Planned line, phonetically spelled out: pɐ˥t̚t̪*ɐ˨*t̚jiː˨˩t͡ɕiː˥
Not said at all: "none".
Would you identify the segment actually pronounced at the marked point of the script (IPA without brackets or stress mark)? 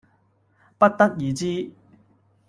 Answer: ɐ˥